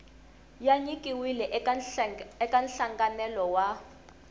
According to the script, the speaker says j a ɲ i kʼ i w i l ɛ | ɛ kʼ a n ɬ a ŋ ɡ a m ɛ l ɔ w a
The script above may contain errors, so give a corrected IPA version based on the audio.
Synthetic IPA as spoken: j a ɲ i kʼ i w i l ɛ | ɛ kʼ a n ɬ a ŋ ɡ a n ɛ l ɔ w a